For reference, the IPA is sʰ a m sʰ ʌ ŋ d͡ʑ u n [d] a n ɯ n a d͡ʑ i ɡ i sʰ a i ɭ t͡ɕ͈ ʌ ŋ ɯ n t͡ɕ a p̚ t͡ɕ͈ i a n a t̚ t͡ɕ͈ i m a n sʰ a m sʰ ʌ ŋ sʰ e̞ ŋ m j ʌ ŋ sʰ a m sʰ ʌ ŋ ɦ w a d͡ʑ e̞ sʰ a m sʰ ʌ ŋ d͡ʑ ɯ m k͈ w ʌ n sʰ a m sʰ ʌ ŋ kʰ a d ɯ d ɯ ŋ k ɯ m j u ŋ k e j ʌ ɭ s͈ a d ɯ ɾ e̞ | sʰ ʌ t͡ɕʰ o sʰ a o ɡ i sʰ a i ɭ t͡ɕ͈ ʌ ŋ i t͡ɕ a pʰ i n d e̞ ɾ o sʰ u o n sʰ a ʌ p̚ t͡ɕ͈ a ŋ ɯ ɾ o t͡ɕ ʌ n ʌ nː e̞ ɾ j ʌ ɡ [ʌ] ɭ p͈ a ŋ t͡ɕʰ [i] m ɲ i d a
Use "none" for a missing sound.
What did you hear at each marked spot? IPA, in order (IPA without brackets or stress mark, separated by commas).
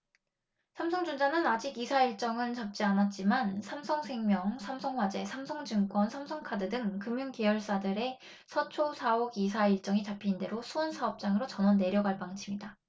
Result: d͡ʑ, a, i